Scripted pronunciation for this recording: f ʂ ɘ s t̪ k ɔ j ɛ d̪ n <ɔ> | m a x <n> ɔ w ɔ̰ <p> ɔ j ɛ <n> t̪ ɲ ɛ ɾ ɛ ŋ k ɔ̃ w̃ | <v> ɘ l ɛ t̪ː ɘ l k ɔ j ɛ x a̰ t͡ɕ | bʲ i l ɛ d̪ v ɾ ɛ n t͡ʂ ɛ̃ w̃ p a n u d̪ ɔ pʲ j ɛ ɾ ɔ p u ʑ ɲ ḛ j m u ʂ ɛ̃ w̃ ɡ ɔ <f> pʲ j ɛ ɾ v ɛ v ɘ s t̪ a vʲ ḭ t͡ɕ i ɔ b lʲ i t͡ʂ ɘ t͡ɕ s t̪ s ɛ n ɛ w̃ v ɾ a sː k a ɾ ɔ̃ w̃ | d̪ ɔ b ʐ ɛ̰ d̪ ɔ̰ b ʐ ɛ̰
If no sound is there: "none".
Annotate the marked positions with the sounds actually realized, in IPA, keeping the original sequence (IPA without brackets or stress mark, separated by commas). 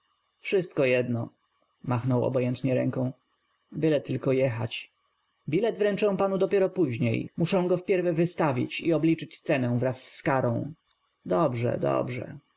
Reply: ɔ, n, b, n, b, f